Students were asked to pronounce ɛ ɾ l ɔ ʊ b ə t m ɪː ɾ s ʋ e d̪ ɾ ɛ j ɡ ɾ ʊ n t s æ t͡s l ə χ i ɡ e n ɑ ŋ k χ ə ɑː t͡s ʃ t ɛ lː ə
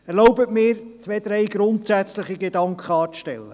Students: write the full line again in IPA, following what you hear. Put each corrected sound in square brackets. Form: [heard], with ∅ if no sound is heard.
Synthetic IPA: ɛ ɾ l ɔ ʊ b ə t m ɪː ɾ [t͡s] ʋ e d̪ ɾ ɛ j ɡ ɾ ʊ n t s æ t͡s l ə χ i ɡ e [d] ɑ ŋ k χ ə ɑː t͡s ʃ t ɛ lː ə